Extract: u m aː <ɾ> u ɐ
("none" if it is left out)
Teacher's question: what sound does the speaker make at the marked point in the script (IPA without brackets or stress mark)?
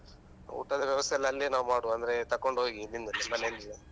ɽ